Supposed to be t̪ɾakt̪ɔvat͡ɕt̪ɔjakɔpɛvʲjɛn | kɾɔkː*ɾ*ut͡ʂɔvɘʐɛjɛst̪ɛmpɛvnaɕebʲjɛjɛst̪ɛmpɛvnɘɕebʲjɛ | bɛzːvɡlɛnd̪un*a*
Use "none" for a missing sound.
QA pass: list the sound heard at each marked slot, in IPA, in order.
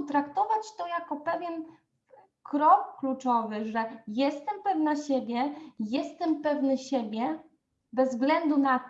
l, a

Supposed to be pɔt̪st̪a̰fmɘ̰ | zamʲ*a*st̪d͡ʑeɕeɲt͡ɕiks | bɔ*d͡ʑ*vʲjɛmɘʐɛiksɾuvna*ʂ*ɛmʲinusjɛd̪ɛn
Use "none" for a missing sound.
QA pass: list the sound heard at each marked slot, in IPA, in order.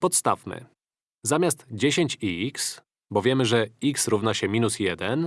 a, none, ɕ

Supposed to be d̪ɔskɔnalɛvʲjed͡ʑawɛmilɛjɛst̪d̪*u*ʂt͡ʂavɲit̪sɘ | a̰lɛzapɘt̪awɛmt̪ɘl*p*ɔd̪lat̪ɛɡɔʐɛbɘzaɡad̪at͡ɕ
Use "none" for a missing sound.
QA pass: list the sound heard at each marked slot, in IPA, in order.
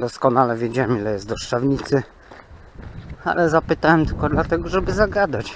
ɔ, k

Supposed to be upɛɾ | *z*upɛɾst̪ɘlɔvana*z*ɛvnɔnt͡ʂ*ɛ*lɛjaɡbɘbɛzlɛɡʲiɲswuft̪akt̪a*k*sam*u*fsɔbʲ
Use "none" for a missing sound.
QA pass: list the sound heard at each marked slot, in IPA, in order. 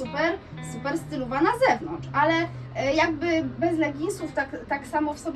s, z, a, k, ɔ

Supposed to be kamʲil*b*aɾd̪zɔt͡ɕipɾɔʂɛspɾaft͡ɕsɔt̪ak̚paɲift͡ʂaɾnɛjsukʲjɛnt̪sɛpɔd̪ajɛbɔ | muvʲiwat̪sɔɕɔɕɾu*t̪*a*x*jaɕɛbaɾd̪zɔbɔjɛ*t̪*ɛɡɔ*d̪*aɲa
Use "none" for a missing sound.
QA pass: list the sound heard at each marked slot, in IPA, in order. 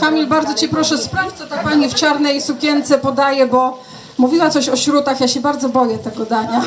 b, t̪, x, t̪, d̪

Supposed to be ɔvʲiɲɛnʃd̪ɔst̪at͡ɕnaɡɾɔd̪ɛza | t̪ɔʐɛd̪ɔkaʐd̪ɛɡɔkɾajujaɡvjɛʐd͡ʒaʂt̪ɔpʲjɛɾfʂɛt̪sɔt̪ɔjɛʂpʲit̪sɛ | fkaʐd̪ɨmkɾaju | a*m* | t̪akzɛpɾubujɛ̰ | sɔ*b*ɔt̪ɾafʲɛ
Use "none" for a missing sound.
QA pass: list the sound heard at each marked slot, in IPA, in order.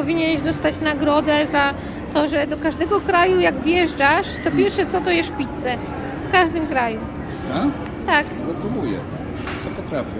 none, p

